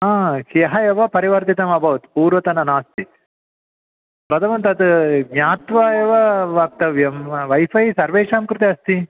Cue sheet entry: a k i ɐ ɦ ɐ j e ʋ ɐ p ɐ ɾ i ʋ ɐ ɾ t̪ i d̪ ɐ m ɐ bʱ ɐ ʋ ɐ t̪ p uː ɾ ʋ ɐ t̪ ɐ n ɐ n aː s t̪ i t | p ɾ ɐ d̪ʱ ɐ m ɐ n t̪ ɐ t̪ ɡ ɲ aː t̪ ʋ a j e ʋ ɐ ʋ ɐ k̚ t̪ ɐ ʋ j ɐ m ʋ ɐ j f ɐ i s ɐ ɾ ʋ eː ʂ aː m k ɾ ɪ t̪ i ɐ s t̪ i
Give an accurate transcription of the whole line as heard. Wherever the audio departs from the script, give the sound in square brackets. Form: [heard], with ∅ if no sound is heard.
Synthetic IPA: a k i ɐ ɦ ɐ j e ʋ ɐ p ɐ ɾ i ʋ ɐ ɾ t̪ i [t̪] ɐ m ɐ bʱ ɐ ʋ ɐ t̪ p uː ɾ ʋ ɐ t̪ ɐ n ɐ n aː s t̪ i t | p ɾ ɐ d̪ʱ ɐ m ɐ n t̪ ɐ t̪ ɡ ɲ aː t̪ ʋ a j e ʋ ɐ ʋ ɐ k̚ t̪ ɐ ʋ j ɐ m ʋ ɐ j f ɐ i s ɐ ɾ ʋ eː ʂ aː m k ɾ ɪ t̪ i ɐ s t̪ i